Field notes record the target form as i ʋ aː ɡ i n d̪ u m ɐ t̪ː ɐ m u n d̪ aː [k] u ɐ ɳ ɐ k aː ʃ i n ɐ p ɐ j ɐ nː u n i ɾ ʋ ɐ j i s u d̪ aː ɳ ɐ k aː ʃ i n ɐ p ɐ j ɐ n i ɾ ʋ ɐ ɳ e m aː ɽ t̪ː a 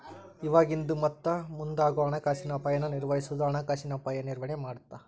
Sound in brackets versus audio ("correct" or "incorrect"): incorrect